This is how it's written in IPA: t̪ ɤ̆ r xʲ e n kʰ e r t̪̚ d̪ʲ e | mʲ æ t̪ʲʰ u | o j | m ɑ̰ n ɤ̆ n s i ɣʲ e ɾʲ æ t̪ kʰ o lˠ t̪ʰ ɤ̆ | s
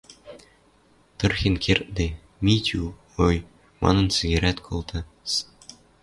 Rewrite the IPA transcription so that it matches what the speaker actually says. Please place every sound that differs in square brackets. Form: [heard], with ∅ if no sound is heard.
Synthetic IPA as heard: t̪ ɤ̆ r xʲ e n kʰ e r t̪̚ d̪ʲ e | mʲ [i] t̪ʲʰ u | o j | m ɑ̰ n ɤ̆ n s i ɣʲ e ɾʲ æ t̪ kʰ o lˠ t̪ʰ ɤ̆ | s